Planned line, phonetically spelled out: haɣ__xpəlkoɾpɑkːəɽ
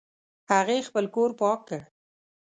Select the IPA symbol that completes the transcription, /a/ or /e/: e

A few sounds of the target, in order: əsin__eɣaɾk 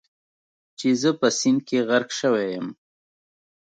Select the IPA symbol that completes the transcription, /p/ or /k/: k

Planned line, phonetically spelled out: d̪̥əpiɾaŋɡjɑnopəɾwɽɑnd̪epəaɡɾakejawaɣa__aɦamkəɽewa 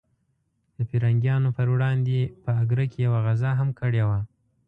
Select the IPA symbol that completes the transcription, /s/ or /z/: z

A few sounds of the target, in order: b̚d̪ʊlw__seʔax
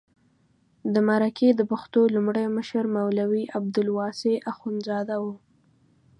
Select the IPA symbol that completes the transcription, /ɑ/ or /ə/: ɑ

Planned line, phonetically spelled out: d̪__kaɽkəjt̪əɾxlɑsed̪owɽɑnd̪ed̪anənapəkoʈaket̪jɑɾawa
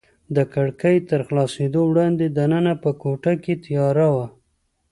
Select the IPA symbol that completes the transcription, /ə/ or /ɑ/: ə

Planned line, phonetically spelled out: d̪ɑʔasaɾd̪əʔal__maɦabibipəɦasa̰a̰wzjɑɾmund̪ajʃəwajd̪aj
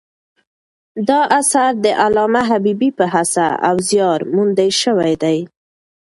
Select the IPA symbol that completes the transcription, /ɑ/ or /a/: ɑ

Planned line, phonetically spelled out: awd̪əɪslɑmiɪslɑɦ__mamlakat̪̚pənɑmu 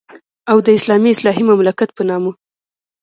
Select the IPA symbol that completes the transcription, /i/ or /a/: i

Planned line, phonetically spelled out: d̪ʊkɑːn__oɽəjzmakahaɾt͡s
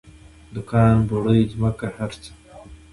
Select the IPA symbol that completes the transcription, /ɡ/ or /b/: b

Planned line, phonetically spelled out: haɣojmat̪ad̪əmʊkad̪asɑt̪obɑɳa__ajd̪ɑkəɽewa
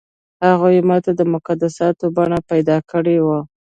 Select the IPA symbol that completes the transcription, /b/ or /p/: p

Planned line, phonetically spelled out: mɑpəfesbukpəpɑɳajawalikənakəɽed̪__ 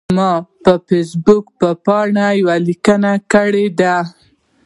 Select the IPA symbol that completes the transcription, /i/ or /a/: a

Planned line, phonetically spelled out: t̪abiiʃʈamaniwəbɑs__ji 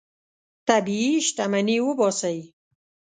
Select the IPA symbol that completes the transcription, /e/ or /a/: a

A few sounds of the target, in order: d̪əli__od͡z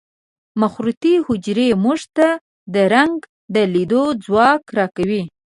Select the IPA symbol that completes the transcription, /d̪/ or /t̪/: d̪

